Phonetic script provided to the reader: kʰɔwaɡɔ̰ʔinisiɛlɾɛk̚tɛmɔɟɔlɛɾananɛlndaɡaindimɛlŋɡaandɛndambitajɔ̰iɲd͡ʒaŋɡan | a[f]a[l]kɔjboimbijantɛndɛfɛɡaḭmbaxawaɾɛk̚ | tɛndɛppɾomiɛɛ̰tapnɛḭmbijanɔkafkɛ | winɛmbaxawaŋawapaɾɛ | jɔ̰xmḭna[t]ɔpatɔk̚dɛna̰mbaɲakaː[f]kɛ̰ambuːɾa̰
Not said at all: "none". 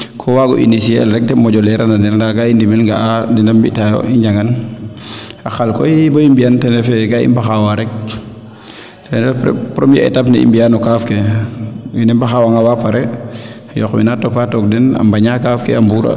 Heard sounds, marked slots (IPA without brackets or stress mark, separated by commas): x, l, t, f